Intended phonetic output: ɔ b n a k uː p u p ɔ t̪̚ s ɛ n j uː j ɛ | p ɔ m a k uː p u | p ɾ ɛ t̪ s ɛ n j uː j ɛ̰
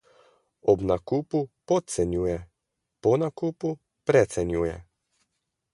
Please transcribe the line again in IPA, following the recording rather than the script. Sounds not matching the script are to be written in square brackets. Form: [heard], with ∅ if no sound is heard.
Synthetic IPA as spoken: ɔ b n a k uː p u p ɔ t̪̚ s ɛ n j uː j ɛ | p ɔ [n] a k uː p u | p ɾ ɛ t̪ s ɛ n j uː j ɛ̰